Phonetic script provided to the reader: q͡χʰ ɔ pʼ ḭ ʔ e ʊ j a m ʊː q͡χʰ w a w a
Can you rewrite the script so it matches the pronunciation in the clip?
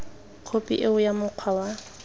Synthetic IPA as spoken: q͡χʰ o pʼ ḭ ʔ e ʊ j a m ʊ q͡χʰ w a w a